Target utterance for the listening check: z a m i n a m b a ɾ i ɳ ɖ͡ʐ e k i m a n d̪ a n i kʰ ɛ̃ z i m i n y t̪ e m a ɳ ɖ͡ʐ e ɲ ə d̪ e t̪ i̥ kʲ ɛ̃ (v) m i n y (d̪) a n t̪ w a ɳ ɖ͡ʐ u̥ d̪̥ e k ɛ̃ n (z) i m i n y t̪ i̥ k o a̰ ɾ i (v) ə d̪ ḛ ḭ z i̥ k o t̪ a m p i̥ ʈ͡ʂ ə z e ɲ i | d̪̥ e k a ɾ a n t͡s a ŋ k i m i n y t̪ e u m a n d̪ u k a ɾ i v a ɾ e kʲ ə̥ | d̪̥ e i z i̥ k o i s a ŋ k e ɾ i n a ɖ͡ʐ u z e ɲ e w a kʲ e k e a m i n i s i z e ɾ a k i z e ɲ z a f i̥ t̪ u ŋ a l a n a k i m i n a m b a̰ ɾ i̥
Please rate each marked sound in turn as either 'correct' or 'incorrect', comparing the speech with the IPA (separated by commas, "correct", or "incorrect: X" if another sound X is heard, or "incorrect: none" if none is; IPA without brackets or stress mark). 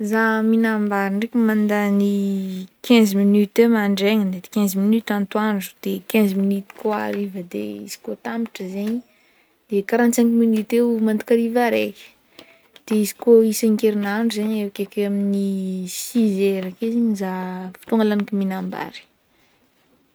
incorrect: z, incorrect: t̪, correct, correct